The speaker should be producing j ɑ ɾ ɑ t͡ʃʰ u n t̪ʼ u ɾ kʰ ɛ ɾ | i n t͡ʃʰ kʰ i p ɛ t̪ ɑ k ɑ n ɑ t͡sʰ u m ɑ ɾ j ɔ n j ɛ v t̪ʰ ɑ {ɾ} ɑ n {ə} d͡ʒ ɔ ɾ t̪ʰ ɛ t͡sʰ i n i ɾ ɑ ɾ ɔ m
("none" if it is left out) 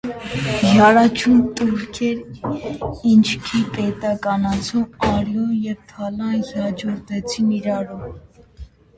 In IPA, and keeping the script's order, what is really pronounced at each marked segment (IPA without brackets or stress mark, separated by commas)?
l, ɑ